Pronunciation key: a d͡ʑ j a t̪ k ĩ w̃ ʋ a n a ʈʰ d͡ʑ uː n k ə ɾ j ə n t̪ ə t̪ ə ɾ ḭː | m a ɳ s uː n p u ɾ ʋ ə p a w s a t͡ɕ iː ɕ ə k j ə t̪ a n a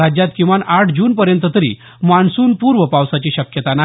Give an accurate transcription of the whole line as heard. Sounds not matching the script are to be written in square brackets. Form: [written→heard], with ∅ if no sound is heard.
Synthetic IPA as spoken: a d͡ʑ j a t̪ k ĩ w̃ ʋ a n a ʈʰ d͡ʑ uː n [k→p] ə ɾ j ə n t̪ ə t̪ ə ɾ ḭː | m a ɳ s uː n p u ɾ ʋ ə p a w s a t͡ɕ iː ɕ ə k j ə t̪ a n a

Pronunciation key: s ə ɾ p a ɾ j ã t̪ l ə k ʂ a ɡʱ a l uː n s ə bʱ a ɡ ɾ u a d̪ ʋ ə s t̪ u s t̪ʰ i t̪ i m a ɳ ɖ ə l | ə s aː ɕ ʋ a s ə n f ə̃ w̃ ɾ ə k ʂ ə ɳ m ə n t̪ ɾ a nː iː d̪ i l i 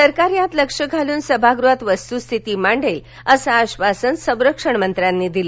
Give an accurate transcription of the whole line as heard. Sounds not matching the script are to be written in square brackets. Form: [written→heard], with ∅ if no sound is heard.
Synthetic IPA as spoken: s ə ɾ [p→k] a ɾ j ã t̪ l ə k ʂ [a→ə] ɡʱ a l uː n s ə bʱ a ɡ ɾ u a [d̪→t̪] ʋ ə s t̪ u s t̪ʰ i t̪ i m a ɳ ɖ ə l | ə s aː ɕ ʋ a s ə n [f→s] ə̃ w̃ ɾ ə k ʂ ə ɳ m ə n t̪ ɾ a nː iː d̪ i l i

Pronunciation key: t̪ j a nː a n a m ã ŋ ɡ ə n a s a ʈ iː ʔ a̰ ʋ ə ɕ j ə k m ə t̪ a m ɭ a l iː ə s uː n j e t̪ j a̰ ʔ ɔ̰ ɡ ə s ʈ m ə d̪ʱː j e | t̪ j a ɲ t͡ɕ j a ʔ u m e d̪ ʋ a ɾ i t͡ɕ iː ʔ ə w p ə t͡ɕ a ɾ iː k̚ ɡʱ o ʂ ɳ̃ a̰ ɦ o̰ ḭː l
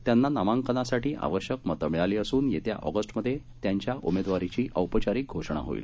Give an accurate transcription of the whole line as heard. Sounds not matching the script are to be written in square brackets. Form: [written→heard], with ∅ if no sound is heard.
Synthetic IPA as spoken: t̪ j a nː a n a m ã ŋ [ɡ→k] ə n a s a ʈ iː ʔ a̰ ʋ ə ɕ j ə k m ə t̪ [a→ə] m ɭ a l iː ə s uː n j e t̪ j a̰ ʔ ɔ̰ ɡ ə s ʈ m ə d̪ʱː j e | t̪ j a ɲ t͡ɕ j a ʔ u m e d̪ ʋ a ɾ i t͡ɕ iː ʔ ə w p ə t͡ɕ a ɾ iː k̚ ɡʱ o ʂ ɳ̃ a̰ ɦ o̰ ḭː l

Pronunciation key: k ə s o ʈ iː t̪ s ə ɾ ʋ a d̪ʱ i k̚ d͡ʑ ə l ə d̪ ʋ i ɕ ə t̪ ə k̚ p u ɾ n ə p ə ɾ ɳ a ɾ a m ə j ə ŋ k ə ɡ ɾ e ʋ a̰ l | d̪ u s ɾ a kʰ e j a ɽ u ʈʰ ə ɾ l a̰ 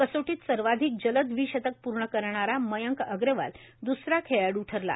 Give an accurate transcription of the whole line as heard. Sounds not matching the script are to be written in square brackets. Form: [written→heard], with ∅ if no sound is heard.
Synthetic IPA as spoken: k ə s o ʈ iː t̪ s ə ɾ ʋ a d̪ʱ i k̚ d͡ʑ ə l ə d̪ ʋ i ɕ ə t̪ ə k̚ p u ɾ [n→ɳ] ə [p→k] ə ɾ ɳ a ɾ a m ə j ə ŋ k ə ɡ ɾ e ʋ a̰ l | d̪ u s ɾ a kʰ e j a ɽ u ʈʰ ə ɾ l a̰

